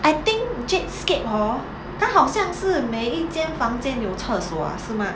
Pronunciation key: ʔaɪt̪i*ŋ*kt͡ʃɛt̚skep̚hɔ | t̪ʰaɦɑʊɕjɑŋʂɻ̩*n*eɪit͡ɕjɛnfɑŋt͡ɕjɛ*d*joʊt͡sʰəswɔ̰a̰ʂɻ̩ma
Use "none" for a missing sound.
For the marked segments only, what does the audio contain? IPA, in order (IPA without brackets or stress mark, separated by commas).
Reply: ŋ, m, n